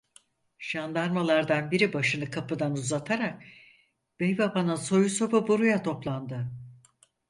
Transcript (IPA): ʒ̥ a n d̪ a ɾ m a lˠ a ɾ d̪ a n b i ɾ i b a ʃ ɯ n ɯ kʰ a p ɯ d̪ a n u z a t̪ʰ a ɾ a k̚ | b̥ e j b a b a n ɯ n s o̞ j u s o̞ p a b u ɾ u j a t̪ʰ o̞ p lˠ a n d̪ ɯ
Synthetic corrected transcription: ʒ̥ a n d̪ a ɾ m a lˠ a ɾ d̪ a n b i ɾ i b a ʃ ɯ n ɯ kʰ a p ɯ d̪ a n u z a t̪ʰ a ɾ a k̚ | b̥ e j b a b a n ɯ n s o̞ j u s o̞ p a b u ɾ u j a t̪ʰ o̞ p lˠ a n d̪ ɯ